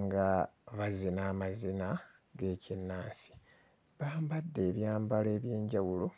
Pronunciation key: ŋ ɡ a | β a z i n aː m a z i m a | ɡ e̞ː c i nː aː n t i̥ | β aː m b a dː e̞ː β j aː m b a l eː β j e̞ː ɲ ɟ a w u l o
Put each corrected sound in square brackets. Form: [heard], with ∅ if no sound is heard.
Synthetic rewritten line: ŋ ɡ a | β a z i n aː m a z i [n] a | ɡ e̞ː c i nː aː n [s] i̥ | β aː m b a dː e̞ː β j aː m b a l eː β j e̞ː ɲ ɟ a w u l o